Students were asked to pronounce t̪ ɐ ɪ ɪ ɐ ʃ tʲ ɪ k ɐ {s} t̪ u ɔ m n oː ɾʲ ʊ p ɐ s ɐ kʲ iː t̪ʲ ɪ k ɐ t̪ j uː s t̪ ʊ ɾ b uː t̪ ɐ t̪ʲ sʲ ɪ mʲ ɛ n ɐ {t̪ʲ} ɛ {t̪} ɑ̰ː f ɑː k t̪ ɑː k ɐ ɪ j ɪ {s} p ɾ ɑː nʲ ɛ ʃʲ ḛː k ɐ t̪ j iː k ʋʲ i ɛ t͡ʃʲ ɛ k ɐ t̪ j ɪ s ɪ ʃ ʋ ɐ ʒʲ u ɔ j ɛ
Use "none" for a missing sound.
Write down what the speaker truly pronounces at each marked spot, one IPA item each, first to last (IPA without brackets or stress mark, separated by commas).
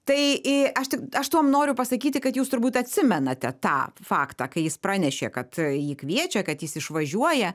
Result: ʃ, t̪ʲ, t̪, s